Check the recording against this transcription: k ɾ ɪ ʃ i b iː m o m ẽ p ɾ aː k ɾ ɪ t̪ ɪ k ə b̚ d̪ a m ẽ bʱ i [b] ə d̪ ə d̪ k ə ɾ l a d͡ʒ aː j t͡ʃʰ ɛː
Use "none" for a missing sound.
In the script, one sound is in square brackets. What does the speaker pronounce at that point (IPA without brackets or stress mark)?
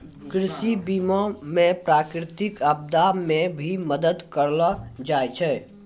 m